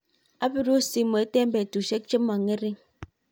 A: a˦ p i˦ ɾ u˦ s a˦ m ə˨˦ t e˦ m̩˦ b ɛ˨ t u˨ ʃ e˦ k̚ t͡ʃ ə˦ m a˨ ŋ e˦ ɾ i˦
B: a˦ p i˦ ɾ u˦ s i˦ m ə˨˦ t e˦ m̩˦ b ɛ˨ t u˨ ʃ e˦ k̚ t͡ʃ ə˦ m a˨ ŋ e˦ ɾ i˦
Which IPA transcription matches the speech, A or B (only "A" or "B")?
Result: B